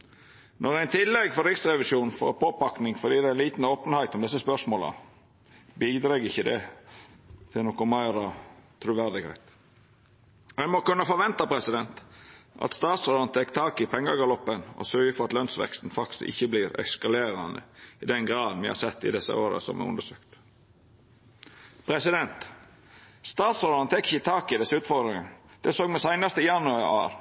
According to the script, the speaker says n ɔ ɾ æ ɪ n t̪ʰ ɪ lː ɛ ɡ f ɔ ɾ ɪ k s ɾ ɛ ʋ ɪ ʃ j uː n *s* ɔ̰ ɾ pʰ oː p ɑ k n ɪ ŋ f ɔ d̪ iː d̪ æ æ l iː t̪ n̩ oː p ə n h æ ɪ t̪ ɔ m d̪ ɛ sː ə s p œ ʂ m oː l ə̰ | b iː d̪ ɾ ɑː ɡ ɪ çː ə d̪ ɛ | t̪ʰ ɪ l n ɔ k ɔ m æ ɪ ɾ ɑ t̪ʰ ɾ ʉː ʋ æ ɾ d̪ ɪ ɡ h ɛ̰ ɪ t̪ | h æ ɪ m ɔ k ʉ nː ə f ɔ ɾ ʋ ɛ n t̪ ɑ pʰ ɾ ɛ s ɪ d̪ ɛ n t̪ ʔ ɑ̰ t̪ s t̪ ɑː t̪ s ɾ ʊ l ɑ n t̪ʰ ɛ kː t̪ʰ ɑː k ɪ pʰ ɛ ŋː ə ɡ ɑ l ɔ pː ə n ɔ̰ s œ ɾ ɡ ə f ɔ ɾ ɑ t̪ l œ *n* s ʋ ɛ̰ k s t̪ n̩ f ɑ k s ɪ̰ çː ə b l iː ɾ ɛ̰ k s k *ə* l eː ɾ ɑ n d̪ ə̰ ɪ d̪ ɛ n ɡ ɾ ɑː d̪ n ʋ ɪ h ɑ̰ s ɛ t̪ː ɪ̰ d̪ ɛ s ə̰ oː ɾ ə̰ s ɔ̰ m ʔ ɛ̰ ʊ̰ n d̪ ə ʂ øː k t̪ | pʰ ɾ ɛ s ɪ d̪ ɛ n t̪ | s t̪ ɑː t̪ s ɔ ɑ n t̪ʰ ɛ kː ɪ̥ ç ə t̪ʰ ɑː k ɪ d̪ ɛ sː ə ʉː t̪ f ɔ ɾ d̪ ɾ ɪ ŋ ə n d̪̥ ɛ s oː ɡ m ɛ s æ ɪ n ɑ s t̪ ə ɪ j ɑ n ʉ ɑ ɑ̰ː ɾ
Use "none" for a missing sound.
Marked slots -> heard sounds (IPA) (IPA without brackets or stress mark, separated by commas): f, n, ɑ